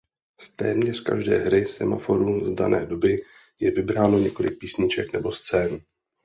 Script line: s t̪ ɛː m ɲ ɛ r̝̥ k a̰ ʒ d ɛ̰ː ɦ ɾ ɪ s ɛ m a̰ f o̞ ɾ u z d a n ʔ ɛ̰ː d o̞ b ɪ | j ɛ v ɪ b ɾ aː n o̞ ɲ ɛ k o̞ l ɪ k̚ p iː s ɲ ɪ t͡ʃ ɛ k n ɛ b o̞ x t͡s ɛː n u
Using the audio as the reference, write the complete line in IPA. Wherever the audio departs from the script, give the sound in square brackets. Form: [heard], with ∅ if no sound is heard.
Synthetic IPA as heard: s t̪ ɛː m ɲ ɛ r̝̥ k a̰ ʒ d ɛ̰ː ɦ ɾ ɪ s ɛ m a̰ f o̞ ɾ u z d a n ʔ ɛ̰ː d o̞ b ɪ | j ɛ v ɪ b ɾ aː n o̞ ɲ ɛ k o̞ l ɪ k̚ p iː s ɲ ɪ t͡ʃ ɛ k n ɛ b o̞ [s] t͡s ɛː n u